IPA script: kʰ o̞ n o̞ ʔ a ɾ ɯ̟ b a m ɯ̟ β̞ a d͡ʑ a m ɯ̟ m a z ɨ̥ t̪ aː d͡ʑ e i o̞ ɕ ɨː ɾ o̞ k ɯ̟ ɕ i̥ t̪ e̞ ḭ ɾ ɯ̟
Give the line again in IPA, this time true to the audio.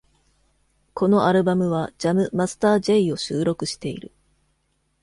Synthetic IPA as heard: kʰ o̞ n o̞ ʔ a ɾ ɯ̟ b a m ɯ̟ β̞ a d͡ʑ a m ɯ̟ m a s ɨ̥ t̪ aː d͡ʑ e i o̞ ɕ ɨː ɾ o̞ k ɯ̟ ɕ i̥ t̪ e̞ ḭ ɾ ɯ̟